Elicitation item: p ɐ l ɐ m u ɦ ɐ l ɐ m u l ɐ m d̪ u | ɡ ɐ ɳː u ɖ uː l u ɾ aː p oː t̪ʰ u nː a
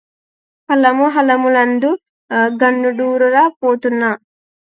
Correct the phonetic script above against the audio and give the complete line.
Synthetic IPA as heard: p ɐ l ɐ m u ɦ ɐ l ɐ m u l ɐ n d̪ u | ɡ ɐ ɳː u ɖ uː ɾ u ɾ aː p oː t̪ u nː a